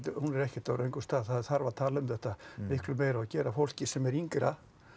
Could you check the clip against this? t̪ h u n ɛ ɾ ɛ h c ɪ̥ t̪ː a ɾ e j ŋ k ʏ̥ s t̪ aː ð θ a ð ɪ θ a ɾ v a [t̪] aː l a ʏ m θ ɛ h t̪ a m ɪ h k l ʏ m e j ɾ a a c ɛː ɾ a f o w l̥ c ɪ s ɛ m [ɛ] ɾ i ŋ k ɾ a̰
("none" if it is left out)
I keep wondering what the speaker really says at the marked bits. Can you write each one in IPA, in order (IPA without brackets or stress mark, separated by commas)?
t̪ʰ, ɛ